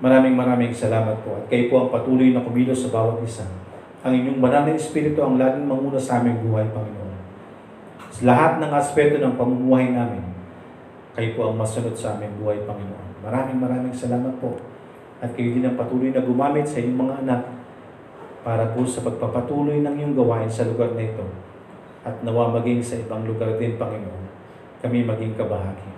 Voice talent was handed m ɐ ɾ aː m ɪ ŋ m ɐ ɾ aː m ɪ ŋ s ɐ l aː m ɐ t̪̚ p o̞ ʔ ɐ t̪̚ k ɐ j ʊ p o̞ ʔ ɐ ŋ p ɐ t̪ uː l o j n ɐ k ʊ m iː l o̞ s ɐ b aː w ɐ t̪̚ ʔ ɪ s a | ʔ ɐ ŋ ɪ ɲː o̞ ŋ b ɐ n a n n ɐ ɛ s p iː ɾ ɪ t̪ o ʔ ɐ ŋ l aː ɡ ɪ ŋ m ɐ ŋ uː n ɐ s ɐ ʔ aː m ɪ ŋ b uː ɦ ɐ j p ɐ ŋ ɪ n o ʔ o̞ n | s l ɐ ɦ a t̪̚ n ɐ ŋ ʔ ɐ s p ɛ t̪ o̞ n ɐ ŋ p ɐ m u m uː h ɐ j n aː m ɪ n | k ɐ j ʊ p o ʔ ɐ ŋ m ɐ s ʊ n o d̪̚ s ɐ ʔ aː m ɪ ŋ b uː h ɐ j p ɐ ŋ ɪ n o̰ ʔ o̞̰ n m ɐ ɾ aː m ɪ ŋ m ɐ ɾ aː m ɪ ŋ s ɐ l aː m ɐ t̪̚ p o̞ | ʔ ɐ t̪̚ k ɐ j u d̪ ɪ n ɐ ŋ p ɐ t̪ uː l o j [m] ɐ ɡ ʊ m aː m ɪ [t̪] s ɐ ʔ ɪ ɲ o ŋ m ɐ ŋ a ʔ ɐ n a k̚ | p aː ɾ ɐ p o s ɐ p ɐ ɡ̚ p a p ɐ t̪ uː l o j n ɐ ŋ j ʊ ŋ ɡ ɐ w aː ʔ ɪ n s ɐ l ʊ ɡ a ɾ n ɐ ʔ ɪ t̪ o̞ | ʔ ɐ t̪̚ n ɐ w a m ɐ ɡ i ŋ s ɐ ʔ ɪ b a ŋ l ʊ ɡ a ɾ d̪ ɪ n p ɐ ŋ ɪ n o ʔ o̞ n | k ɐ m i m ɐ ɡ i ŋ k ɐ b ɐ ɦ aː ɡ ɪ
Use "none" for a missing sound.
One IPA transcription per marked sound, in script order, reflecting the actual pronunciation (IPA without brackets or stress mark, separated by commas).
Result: n, t̪